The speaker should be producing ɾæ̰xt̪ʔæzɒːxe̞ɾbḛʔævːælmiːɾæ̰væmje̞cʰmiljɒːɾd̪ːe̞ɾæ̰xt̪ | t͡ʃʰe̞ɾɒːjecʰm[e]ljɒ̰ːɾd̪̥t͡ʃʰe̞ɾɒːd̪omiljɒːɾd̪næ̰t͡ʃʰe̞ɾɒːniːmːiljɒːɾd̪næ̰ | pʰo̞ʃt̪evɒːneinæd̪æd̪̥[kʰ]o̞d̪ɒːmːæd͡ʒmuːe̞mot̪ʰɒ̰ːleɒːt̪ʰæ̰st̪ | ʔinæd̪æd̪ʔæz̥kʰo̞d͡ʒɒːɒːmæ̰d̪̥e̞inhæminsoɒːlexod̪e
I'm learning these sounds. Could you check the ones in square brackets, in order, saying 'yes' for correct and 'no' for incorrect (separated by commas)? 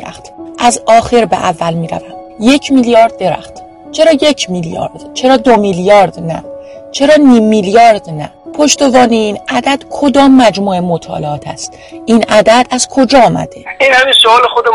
no, yes